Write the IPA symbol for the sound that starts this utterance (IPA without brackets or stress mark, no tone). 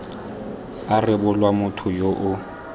a